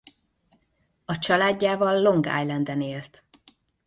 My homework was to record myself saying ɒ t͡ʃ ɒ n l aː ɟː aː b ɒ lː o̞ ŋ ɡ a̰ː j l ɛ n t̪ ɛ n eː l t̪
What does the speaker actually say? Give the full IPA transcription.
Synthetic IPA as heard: ɒ t͡ʃ ɒ l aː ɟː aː v ɒ lː o̞ ŋ ɡ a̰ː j l ɛ n d̪ ɛ n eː l t̪